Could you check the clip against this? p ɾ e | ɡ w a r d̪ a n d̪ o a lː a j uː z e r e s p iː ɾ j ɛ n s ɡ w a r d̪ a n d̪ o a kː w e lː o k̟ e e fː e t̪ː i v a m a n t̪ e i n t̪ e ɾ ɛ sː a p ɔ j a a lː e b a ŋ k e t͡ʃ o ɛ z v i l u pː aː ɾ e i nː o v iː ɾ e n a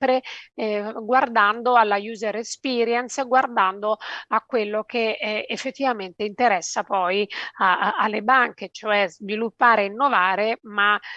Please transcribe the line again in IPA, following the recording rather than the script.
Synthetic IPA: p ɾ e | ɡ w a r d̪ a n d̪ o a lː a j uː z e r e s p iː ɾ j ɛ n s ɡ w a r d̪ a n d̪ o a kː w e lː o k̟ e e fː e t̪ː i v a m e n t̪ e i n t̪ e ɾ ɛ sː a p ɔ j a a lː e b a ŋ k e t͡ʃ o ɛ z v i l u pː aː ɾ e i nː o v aː ɾ e m a